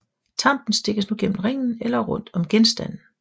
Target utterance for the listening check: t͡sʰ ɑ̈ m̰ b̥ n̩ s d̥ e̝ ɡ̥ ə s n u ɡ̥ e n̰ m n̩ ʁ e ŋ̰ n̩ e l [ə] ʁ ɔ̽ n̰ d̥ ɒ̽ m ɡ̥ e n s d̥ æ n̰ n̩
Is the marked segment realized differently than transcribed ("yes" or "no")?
yes